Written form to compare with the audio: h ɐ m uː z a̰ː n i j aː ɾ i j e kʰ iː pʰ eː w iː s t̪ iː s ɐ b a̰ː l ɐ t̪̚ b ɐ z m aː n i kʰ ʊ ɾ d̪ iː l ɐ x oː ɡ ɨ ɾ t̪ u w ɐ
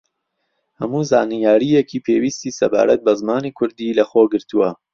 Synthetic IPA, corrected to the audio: h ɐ m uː z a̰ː n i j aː ɾ i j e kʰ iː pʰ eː w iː s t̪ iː s ɐ b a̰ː ɾ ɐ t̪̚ b ɐ z m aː n i kʰ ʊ ɾ d̪ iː l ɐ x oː ɡ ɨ ɾ t̪ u w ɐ